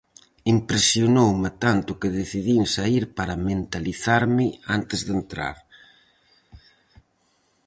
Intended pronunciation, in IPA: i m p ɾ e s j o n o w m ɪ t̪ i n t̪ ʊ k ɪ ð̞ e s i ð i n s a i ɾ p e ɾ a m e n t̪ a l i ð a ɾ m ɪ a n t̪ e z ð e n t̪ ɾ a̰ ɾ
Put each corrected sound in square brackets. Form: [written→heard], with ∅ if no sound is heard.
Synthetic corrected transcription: i m p ɾ e s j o n o w m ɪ t̪ [i→a] n t̪ ʊ k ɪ ð̞ e [s→θ] i ð i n s a i ɾ p [e→a] ɾ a m e n t̪ a l i [ð→θ] a ɾ m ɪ a n t̪ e z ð e n t̪ ɾ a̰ ɾ